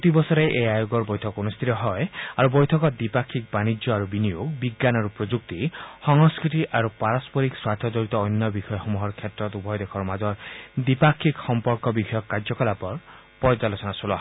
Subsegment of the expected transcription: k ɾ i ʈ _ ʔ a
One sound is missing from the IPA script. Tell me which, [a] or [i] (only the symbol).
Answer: i